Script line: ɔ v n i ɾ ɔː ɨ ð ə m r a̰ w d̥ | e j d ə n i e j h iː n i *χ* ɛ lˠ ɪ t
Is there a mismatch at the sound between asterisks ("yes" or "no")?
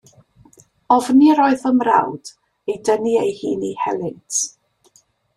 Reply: yes